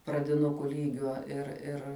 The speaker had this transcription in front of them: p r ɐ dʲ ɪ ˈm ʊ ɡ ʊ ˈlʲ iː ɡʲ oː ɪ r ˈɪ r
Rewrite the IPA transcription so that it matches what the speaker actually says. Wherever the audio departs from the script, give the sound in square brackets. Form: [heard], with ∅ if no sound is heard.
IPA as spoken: p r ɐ dʲ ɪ [ˈn] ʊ [k] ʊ ˈlʲ iː ɡʲ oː ɪ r ˈɪ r